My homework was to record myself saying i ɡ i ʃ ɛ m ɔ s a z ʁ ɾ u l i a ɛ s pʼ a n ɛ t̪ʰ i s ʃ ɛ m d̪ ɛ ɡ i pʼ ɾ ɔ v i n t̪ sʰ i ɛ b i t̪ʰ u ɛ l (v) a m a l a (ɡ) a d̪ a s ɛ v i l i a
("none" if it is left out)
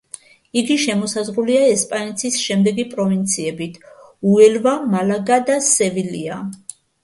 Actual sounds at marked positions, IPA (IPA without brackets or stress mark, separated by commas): v, ɡ